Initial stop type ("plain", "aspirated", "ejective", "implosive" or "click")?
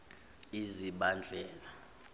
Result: implosive